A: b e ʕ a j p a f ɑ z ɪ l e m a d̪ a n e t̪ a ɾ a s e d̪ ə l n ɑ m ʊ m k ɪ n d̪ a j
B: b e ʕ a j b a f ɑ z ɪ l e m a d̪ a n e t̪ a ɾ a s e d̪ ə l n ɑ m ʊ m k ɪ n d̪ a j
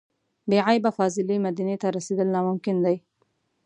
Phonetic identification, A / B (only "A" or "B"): B